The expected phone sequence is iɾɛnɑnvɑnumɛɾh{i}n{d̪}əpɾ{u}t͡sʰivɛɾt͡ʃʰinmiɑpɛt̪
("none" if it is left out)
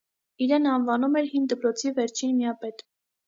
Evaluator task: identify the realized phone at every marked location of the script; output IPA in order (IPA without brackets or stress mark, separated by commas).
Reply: i, d̪, ɔ